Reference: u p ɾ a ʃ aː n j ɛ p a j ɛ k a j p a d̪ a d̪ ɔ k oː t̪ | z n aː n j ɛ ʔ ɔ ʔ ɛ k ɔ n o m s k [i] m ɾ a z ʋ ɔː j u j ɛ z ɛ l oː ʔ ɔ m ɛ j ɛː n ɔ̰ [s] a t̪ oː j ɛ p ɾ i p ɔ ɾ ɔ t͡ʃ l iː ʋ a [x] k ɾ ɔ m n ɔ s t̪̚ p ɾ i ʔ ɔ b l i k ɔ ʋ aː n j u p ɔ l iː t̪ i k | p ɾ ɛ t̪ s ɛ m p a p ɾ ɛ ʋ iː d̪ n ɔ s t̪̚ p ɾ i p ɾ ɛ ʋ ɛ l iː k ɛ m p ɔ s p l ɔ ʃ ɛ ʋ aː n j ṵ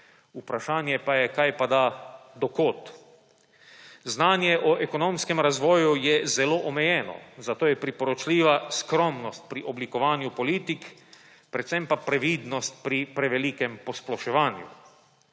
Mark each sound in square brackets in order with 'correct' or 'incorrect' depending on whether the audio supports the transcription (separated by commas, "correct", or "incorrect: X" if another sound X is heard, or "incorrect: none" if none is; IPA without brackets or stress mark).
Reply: incorrect: ɛ, incorrect: z, incorrect: s